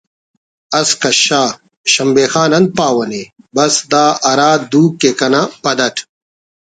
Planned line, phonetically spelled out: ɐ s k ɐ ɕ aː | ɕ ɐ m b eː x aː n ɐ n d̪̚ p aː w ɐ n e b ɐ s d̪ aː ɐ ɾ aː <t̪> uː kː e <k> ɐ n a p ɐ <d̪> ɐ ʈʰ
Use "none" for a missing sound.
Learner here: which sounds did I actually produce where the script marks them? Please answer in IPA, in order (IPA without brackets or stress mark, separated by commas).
d̪, k, d̪